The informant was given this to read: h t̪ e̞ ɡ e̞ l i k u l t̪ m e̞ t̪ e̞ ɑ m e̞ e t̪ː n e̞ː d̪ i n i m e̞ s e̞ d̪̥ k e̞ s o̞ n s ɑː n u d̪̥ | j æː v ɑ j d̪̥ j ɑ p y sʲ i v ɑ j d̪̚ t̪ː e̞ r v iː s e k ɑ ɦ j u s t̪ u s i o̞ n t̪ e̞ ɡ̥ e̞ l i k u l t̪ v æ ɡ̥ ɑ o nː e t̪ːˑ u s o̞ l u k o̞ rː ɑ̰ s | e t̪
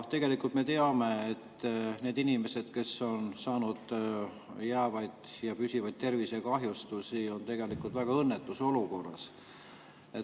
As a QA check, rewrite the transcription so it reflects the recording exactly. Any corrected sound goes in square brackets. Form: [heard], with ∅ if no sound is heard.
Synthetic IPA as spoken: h t̪ e̞ ɡ e̞ l i k u l t̪ m e̞ t̪ e̞ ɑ m e̞ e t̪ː n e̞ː d̪ i n i m e̞ s e̞ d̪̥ k e̞ s o̞ n s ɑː n u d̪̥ | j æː v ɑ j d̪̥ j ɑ p y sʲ i v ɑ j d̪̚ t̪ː e̞ r v [i] s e k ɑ ɦ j u s t̪ u s i o̞ n t̪ e̞ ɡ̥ e̞ l i k u l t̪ v æ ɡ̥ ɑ [ɤ] nː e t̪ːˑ u s o̞ l u k o̞ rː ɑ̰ s | e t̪